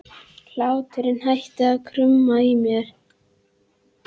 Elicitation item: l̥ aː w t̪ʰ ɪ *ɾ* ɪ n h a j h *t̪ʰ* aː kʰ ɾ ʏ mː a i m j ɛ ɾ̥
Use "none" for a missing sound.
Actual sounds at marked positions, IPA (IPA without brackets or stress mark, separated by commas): ɾ, t̪